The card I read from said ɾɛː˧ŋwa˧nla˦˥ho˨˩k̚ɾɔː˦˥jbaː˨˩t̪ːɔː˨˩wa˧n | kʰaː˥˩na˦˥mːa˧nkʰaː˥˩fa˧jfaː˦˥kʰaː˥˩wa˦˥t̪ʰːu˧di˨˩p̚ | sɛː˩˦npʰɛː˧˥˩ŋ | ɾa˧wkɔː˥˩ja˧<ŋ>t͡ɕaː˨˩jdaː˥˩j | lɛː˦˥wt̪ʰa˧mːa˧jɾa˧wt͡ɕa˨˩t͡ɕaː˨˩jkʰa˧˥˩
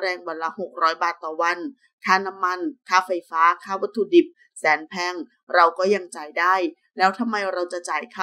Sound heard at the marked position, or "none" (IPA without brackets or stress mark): ŋ